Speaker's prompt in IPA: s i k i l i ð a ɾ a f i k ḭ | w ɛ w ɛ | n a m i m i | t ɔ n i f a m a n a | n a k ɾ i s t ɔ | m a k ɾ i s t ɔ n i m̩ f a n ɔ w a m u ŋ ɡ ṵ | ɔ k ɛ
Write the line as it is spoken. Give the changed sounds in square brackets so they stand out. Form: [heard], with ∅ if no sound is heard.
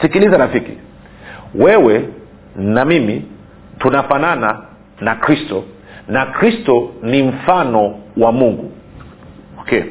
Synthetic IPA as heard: s i k i l i [z] a ɾ a f i k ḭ | w ɛ w ɛ | n a m i m i | t [u] n [a] f a [n] a n a | n a k ɾ i s t ɔ | [n] a k ɾ i s t ɔ n i m̩ f a n ɔ w a m u ŋ ɡ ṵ | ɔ k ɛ